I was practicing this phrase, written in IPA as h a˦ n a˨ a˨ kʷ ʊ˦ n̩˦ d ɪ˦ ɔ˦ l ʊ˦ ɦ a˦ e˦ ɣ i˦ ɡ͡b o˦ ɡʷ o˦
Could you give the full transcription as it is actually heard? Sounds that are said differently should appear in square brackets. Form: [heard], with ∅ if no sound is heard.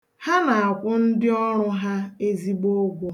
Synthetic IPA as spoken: h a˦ n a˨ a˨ kʷ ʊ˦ n̩˦ d ɪ˦ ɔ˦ [ɾ] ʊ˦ ɦ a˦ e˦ [z] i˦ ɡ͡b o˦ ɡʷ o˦